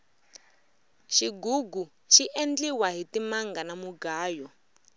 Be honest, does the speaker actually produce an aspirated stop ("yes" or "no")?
no